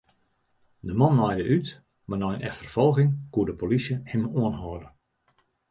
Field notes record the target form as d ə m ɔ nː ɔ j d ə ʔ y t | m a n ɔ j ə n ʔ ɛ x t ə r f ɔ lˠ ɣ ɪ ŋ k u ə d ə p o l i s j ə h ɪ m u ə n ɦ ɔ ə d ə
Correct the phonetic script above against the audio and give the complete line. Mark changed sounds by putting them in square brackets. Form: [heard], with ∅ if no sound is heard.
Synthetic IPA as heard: d ə m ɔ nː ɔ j d ə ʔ y t | m a n ɔ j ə n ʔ ɛ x t ə r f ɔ lˠ ɣ ɪ ŋ k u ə d ə p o l i s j ə h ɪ m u ə n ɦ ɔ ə d ə